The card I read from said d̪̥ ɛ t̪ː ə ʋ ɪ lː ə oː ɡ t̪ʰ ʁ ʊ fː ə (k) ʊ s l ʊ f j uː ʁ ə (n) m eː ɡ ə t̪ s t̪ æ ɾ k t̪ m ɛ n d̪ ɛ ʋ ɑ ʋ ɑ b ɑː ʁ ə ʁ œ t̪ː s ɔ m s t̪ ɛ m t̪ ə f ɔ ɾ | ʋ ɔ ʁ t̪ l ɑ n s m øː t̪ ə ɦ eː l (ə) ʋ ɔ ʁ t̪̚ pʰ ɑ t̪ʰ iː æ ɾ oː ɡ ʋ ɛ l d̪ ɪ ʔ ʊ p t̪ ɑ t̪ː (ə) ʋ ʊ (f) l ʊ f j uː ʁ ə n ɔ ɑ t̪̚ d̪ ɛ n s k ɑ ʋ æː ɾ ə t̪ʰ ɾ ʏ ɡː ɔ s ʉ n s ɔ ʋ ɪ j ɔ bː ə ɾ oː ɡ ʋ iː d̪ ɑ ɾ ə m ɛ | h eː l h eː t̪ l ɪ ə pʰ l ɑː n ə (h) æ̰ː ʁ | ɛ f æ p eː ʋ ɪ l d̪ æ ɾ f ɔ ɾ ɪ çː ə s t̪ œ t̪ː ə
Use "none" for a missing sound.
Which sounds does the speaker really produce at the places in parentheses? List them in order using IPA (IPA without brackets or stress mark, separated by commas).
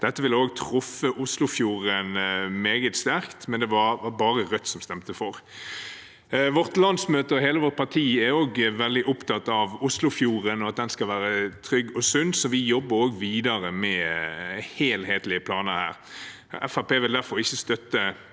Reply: ʔ, n, ə, ɑ, s, h